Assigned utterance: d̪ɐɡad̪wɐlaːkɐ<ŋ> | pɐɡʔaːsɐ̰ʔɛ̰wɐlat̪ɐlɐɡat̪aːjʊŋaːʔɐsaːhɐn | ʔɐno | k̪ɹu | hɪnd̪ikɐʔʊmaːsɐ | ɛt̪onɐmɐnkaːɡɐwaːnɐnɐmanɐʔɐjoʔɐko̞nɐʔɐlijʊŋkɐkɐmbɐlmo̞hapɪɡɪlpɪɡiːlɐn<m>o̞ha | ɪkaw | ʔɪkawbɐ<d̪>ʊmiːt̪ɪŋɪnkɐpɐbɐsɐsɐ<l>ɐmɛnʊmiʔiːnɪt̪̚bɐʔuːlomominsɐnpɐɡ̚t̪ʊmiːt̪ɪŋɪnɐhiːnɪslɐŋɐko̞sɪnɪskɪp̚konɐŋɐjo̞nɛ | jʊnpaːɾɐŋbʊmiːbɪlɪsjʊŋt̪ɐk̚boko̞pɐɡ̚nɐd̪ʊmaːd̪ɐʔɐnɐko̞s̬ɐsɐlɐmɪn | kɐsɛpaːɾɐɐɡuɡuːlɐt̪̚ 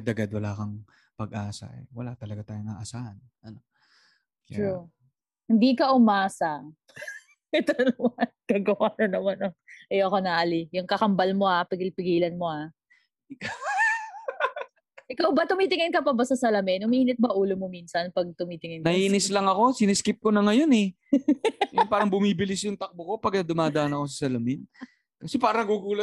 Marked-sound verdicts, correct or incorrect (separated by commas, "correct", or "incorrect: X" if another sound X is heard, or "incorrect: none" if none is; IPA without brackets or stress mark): correct, correct, incorrect: t̪, correct